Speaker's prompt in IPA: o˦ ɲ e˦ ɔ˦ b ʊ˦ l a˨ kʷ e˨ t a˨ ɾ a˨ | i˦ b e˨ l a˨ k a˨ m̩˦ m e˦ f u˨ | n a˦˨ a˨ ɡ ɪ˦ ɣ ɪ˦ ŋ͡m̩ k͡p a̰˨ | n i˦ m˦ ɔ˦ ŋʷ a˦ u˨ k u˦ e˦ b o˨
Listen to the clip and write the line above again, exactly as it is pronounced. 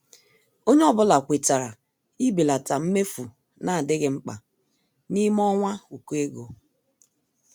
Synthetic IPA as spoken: o˦ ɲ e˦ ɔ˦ b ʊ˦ l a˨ kʷ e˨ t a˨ ɾ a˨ | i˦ b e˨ l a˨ t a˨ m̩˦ m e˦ f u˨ | n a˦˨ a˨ d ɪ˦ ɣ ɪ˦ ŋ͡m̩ k͡p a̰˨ | n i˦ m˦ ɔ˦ ŋʷ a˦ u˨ k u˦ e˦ ɡ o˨